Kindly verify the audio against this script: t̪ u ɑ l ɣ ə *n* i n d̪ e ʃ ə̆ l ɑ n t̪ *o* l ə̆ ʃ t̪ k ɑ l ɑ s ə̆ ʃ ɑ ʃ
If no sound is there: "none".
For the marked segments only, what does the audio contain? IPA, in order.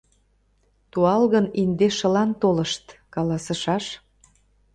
n, o

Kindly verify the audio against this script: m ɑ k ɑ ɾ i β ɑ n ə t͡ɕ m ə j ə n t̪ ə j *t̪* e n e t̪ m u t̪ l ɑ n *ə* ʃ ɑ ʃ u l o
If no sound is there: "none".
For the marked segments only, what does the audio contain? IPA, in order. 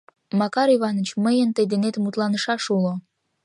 d̪, ə

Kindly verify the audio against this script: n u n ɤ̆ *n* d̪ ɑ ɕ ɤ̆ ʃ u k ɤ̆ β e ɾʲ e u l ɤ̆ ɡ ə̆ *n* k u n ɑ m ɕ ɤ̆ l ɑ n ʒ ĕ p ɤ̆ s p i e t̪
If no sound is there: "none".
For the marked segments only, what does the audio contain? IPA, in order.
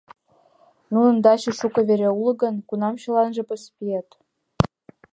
n, n

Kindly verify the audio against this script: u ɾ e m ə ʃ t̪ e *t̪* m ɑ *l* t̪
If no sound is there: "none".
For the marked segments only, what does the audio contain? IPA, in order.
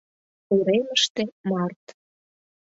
none, r

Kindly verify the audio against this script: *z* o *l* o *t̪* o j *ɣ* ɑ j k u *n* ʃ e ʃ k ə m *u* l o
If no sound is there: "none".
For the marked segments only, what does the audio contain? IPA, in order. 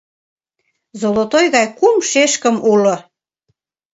z, l, t̪, ɣ, m, u

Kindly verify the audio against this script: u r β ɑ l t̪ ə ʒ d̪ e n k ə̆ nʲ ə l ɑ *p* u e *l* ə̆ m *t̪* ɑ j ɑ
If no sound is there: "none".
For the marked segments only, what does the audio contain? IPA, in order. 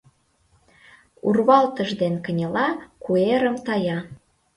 k, ɾ, t̪

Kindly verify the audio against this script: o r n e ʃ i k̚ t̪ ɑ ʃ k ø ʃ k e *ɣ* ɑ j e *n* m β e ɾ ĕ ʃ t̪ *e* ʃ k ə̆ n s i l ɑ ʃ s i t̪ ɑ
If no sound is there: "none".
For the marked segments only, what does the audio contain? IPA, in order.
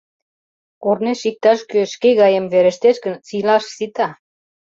ɣ, none, e

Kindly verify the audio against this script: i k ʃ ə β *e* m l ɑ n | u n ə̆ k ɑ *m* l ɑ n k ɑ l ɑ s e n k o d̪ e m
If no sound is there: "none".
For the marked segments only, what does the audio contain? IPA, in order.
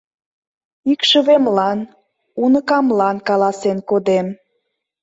e, m

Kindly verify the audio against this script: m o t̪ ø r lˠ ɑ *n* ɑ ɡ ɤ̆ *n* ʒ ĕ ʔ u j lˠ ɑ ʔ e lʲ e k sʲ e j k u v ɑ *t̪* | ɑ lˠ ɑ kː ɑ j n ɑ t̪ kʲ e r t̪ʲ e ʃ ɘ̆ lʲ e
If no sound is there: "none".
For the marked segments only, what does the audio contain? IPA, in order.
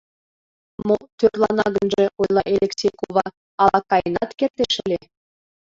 n, n, none

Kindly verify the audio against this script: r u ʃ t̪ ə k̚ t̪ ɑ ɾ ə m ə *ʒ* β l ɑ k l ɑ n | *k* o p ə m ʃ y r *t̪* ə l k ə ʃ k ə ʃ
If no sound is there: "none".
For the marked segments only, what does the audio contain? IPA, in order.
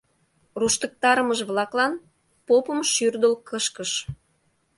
ʒ, p, d̪

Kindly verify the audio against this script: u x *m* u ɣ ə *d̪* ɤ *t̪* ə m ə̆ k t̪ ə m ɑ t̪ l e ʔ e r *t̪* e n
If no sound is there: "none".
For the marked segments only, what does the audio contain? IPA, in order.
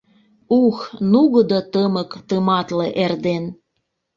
n, d̪, t̪, d̪

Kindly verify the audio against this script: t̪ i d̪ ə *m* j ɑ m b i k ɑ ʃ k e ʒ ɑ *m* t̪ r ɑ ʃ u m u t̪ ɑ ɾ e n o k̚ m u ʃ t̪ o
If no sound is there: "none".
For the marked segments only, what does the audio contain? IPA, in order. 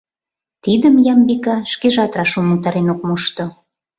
m, none

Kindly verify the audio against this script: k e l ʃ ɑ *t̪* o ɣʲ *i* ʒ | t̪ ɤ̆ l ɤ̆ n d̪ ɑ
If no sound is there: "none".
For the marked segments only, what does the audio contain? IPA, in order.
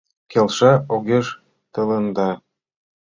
none, e

